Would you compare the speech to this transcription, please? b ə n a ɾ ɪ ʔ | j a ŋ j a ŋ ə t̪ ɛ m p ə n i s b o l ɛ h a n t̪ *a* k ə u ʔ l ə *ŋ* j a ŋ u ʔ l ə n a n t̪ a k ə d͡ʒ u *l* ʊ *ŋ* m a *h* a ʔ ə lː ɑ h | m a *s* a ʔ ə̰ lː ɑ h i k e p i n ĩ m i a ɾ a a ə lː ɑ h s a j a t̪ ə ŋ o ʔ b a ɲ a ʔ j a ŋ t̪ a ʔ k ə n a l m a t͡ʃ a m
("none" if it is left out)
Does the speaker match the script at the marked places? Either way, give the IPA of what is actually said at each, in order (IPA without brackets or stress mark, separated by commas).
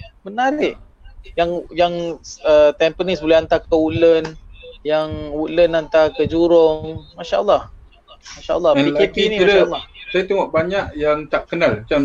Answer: a, n, ɾ, ŋ, ʃ, ʃ